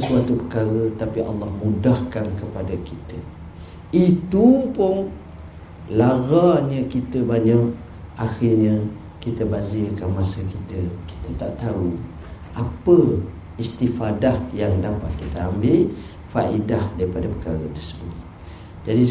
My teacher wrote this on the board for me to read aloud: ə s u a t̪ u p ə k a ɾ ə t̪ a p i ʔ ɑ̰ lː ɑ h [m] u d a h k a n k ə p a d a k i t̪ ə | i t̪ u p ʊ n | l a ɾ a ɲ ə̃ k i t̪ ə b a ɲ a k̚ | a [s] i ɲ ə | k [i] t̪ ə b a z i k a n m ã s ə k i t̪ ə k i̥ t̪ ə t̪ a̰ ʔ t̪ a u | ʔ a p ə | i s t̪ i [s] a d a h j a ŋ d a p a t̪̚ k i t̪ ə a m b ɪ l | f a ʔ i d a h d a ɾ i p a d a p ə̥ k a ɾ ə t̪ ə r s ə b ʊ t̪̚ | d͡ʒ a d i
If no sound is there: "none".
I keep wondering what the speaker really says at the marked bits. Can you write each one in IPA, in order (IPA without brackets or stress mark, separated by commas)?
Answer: m, x, i, f